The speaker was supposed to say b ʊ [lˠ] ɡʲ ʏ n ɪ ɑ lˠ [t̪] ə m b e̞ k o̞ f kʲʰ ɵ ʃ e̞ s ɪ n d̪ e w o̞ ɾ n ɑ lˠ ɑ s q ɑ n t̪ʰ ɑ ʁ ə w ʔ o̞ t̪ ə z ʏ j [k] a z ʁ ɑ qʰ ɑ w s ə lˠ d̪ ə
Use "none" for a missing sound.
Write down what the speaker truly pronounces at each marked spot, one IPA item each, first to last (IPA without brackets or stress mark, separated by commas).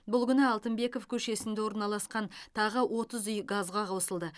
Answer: lˠ, t̪, ɡ